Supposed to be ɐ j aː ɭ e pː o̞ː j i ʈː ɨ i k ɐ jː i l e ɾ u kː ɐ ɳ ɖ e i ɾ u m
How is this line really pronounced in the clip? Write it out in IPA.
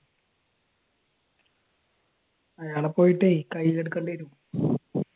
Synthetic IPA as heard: ɐ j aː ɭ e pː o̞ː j i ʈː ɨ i k ɐ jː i l e ɽ u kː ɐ ɳ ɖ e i ɾ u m

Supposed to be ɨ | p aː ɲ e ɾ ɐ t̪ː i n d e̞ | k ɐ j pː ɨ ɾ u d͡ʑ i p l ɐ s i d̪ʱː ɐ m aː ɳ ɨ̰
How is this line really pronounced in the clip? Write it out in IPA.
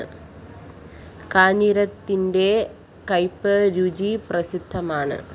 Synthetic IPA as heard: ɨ | k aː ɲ i ɾ ɐ t̪ː i n d e̞ | k ɐ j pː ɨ ɾ u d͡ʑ i p r ɐ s i d̪ʱː ɐ m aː ɳ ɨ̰

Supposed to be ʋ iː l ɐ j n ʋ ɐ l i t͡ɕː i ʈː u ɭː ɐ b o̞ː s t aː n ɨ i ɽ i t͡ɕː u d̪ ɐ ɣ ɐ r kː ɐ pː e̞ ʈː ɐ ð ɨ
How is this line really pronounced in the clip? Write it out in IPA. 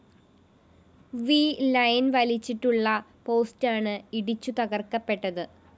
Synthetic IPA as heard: ʋ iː l ɐ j n ʋ ɐ l i t͡ɕː i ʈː u ɭː ɐ p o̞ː s t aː ɳ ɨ i ɽ i t͡ɕː u t̪ ɐ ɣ ɐ r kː ɐ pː e̞ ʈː ɐ ð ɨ

